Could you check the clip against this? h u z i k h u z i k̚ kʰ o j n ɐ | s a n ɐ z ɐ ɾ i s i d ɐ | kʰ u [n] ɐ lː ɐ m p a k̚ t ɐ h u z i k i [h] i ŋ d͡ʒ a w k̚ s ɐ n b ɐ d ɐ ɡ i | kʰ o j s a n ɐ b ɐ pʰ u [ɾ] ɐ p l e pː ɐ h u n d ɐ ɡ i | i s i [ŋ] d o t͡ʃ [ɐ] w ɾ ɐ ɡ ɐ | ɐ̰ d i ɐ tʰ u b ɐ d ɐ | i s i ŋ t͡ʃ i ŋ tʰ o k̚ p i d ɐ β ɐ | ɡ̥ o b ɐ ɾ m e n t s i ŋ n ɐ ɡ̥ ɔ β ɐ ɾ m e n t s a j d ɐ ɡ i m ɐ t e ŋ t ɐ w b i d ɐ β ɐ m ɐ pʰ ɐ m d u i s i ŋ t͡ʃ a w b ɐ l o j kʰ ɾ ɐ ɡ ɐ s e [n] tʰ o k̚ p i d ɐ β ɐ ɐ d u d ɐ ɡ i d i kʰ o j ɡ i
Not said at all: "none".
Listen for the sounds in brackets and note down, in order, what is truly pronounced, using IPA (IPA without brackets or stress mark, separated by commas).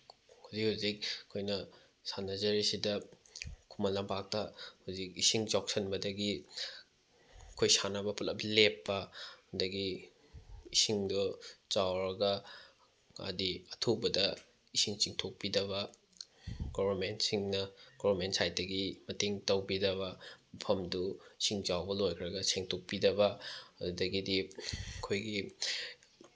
m, s, l, ŋ, a, ŋ